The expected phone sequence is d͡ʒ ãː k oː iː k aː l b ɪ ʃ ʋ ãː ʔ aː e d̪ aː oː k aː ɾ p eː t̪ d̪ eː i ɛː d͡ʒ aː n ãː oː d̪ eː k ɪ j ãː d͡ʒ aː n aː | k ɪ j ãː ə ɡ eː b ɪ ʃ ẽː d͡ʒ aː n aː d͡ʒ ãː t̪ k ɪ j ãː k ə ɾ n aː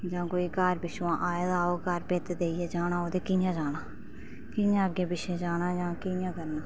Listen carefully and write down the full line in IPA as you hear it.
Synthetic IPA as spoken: d͡ʒ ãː k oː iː k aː ɾ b ɪ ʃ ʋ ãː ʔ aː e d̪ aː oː k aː ɾ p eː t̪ d̪ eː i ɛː d͡ʒ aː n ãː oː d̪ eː k ɪ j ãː d͡ʒ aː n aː | k ɪ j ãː ə ɡ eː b ɪ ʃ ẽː d͡ʒ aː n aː d͡ʒ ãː k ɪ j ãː k ə ɾ n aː